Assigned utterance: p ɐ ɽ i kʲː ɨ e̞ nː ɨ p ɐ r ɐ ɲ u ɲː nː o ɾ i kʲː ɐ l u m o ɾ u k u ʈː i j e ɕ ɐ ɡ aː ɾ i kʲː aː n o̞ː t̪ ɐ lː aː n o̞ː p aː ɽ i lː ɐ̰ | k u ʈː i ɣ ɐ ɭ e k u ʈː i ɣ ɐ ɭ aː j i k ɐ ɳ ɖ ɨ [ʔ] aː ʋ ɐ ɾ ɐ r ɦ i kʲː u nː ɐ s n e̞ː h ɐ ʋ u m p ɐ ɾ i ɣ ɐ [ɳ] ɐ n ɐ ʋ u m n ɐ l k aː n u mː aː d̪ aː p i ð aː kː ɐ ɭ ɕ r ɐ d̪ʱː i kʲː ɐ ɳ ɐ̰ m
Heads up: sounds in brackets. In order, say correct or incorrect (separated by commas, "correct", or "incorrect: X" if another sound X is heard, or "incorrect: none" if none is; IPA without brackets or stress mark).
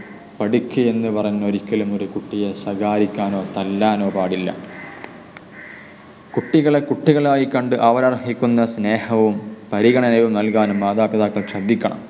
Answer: correct, correct